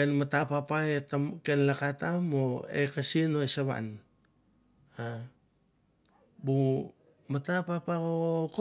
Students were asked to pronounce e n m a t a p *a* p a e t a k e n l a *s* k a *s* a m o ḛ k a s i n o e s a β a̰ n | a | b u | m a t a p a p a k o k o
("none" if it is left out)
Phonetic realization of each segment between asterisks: a, none, t

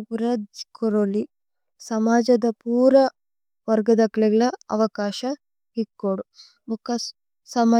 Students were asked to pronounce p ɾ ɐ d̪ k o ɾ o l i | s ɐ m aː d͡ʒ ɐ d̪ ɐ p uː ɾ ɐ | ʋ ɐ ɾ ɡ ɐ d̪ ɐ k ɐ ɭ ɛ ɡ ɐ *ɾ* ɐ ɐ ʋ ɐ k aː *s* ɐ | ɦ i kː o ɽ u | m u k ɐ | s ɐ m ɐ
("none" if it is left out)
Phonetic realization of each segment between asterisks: ɭ, ʃ

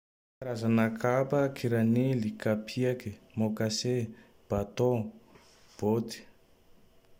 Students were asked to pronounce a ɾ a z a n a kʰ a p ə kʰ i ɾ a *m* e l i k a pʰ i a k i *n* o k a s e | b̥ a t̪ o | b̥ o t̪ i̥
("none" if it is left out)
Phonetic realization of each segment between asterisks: n, m

